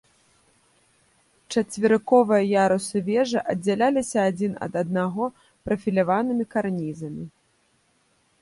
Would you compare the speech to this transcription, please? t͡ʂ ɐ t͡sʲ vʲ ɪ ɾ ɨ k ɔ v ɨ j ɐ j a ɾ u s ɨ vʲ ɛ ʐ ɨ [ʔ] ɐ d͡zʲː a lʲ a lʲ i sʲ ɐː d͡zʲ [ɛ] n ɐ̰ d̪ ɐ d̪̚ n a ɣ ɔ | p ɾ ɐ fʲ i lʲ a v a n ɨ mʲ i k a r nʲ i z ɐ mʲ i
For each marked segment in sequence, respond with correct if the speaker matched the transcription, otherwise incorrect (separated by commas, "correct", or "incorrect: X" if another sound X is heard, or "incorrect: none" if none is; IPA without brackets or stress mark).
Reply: correct, incorrect: i